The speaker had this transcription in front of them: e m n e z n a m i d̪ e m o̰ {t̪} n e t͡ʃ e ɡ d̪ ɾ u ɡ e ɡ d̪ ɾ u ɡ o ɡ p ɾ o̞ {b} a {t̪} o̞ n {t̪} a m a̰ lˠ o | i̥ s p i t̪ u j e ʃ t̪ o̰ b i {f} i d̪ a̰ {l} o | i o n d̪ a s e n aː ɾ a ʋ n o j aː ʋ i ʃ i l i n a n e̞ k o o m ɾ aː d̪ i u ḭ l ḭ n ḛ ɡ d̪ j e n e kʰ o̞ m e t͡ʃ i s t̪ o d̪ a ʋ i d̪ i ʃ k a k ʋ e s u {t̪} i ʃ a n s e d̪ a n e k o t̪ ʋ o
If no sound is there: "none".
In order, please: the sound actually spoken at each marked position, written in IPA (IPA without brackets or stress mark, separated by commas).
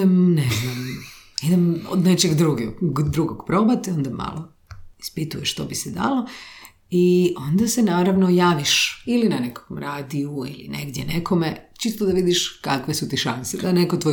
d̪, b, t̪, d̪, s, l, t̪